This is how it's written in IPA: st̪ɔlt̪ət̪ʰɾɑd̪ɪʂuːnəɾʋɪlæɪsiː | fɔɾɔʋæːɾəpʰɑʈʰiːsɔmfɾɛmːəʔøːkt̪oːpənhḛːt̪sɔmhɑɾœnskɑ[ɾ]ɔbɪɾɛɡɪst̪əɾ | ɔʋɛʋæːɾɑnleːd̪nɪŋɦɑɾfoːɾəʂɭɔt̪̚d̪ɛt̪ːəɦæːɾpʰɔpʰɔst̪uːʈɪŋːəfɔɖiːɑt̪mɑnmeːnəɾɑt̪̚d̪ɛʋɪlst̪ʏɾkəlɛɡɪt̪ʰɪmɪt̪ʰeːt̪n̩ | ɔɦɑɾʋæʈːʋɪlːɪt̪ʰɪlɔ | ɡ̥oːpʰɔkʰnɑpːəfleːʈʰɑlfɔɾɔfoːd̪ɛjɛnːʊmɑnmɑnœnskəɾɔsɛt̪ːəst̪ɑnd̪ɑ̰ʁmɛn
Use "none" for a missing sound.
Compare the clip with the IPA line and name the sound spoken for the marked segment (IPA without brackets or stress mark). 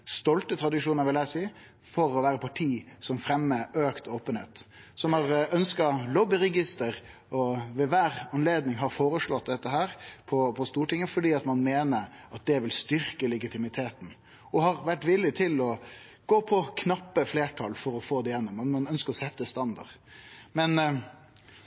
l